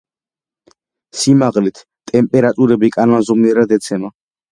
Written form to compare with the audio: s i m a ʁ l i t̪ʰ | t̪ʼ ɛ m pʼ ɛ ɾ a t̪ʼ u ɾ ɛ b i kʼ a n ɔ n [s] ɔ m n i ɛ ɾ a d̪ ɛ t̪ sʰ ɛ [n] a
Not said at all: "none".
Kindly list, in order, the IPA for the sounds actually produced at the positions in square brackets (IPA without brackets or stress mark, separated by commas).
z, m